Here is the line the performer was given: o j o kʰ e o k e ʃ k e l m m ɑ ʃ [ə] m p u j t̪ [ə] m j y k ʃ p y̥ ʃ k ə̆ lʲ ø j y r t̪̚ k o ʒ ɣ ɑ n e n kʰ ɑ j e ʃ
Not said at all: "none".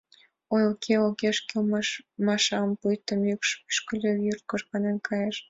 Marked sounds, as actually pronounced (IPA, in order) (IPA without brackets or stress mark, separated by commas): ɑ, ə